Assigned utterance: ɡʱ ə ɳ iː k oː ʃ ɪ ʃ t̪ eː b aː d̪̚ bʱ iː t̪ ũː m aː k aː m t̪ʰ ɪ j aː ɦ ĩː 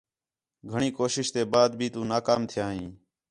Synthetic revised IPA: ɡʱ ə ɳ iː k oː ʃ ɪ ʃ t̪ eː b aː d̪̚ bʱ iː t̪ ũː n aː k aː m t̪ʰ ɪ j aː ɦ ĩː